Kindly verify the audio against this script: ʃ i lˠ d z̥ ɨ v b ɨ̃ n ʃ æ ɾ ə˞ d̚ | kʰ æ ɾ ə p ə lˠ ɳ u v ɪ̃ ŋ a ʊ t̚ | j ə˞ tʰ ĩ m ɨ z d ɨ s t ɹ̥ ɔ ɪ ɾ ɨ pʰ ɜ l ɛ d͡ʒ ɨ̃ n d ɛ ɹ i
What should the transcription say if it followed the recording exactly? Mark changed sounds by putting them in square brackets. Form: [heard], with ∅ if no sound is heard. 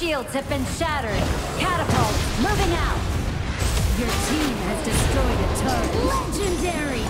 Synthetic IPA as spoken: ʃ i lˠ d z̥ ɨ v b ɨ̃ n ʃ æ ɾ ə˞ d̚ | kʰ æ ɾ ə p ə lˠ [m] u v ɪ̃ ŋ a ʊ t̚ | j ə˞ tʰ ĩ m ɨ z d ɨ s t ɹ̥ ɔ ɪ ɾ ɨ [tʰ] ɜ l ɛ d͡ʒ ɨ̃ n d ɛ ɹ i